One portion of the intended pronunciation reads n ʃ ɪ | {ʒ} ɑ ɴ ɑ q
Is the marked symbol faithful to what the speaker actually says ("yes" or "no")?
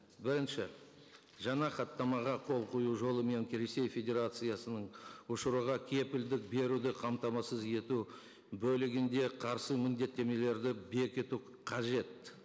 yes